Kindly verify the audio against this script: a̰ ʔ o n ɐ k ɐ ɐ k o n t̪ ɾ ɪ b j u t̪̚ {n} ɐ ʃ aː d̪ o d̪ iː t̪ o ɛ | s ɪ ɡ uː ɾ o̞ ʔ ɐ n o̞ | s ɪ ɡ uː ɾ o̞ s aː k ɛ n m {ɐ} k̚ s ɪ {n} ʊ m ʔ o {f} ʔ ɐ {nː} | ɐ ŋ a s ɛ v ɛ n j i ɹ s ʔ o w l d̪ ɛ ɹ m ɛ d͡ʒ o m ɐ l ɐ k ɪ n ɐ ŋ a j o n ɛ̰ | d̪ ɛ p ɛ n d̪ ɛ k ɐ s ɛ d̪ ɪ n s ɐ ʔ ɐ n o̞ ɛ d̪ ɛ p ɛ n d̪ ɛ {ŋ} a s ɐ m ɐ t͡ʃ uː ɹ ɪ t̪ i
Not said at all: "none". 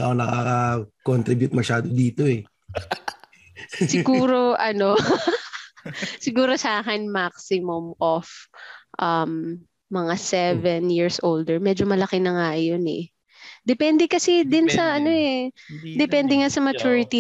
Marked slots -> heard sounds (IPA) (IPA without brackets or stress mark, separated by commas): m, a, m, f, mː, ŋ